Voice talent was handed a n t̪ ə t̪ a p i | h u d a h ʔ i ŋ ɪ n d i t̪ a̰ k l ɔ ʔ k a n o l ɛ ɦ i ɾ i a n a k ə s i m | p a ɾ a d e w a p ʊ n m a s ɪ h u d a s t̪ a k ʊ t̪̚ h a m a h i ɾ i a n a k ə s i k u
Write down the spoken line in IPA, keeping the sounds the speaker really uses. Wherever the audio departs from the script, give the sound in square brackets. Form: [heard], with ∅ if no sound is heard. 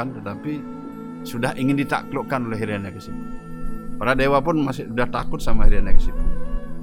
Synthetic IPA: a n t̪ ə t̪ a p i | [s] u d a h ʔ i ŋ ɪ n d i t̪ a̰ k l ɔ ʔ k a n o l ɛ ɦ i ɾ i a n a k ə s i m | p a ɾ a d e w a p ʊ n m a s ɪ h u d a [h] t̪ a k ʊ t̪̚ [s] a m a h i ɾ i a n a k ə s i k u